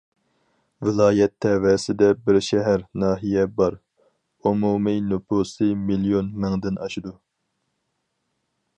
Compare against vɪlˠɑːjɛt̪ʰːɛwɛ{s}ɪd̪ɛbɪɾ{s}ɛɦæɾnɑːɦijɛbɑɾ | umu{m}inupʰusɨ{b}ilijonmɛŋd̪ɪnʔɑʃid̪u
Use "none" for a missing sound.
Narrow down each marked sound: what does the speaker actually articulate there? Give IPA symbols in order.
s, ʃ, m, m

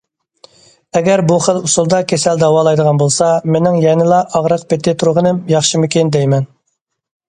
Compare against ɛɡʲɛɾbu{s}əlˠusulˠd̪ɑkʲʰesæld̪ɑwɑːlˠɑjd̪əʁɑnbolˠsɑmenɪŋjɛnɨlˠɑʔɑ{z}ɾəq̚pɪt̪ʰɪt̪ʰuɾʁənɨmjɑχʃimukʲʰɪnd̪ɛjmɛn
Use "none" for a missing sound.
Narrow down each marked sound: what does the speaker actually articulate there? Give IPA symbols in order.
χ, ʁ

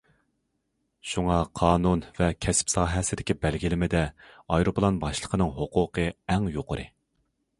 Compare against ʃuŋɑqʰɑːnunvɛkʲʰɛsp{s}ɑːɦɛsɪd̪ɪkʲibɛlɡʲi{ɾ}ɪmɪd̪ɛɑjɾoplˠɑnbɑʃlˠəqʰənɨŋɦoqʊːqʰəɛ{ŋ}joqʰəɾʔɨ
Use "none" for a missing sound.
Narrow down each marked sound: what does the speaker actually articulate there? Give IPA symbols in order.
s, l, ŋ

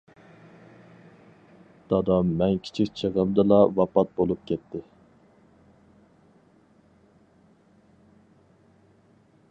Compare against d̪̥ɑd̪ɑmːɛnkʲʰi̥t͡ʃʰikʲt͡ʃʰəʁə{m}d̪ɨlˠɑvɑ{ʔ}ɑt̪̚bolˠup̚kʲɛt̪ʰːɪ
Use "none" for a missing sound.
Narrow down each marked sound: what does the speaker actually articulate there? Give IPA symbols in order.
m, p

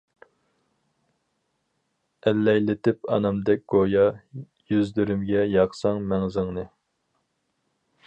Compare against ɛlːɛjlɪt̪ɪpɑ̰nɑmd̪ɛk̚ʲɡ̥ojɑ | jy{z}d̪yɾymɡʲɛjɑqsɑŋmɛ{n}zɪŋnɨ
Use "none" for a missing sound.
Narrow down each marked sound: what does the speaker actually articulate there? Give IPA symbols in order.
z, ŋ

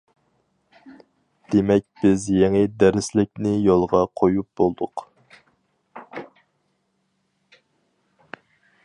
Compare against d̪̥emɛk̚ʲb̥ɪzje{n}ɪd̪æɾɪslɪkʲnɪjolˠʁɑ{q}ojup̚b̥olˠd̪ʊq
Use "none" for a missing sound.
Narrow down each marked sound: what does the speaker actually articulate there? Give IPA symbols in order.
ŋ, qʰ

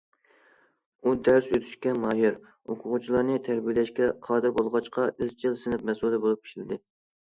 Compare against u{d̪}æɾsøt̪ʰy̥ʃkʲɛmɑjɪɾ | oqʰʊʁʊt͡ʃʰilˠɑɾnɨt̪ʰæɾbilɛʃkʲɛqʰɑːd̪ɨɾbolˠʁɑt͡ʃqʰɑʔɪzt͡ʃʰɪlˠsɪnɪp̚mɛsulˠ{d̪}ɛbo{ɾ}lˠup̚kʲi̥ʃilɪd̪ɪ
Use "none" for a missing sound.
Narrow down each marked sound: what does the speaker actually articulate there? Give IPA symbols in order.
d̪, d̪, none

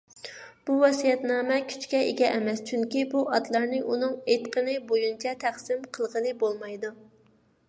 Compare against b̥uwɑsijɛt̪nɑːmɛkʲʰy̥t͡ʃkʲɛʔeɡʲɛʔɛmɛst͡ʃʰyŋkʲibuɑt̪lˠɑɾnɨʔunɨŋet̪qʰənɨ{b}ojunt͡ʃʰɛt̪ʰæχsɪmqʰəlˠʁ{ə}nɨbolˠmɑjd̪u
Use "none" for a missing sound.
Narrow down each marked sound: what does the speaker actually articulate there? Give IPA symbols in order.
b, ə

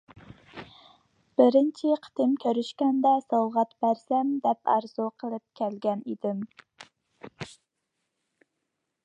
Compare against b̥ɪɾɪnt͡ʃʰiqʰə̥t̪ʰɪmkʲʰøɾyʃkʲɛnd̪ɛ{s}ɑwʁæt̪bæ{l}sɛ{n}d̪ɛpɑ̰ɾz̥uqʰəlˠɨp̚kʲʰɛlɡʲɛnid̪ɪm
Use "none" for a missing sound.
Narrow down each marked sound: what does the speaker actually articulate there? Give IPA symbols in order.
s, ɾ, m

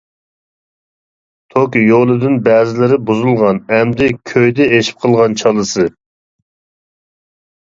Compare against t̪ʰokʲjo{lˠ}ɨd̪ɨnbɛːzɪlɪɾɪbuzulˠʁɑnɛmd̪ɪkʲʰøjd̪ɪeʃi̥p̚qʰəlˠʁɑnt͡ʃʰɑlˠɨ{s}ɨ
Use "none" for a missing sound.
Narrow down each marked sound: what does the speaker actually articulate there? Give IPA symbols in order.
lˠ, s

